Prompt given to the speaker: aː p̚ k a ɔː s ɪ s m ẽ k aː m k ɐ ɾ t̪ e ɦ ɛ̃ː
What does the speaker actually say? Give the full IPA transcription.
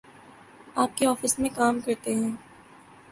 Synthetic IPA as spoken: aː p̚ k e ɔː f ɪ s m ẽ k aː m k ɐ ɾ t̪ e ɦ ɛ̃ː